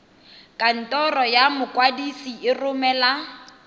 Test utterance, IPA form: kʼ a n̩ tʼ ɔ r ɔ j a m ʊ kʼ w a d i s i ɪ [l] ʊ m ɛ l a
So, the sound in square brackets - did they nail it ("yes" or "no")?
no